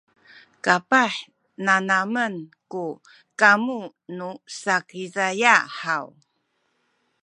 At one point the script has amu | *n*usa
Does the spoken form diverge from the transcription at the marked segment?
no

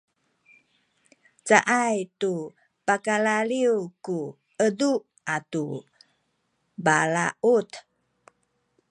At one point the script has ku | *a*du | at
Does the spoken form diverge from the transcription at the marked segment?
yes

